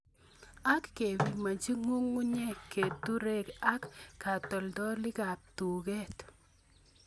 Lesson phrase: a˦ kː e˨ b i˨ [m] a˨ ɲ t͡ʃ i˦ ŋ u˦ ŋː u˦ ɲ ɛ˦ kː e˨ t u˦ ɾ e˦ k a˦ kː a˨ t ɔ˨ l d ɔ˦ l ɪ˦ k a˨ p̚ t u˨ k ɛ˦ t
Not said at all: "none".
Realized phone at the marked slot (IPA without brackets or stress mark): m